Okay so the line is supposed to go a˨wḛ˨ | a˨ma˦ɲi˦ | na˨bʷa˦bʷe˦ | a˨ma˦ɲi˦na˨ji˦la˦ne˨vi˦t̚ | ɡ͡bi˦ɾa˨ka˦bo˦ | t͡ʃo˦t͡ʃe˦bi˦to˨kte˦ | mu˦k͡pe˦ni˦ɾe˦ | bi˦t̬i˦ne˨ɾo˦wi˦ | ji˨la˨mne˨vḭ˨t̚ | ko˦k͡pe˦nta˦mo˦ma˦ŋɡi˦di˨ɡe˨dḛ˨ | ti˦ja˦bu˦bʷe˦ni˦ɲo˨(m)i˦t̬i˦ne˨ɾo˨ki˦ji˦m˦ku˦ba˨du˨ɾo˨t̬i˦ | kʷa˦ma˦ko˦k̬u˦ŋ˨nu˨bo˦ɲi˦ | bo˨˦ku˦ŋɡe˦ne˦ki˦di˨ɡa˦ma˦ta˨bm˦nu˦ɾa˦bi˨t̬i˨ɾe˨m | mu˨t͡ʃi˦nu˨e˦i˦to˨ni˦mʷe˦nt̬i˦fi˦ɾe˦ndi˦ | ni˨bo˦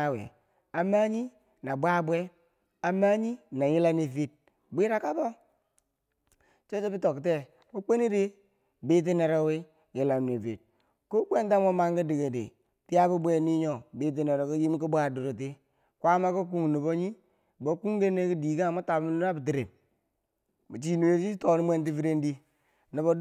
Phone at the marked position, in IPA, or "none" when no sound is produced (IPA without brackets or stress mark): b